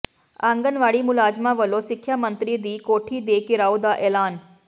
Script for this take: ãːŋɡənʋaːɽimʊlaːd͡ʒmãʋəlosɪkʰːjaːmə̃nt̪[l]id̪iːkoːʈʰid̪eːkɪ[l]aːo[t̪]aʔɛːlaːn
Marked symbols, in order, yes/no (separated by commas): no, no, no